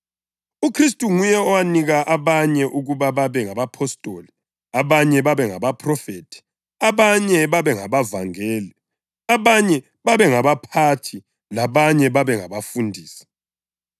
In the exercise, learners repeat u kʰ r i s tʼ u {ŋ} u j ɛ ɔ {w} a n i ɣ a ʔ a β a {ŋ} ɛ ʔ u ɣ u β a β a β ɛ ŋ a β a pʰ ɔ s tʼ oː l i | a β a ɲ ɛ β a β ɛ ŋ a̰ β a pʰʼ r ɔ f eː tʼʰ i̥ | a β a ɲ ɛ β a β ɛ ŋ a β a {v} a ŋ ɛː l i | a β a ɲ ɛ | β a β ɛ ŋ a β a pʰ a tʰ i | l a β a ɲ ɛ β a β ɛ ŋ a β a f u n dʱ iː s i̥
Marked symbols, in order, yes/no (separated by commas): yes, yes, no, yes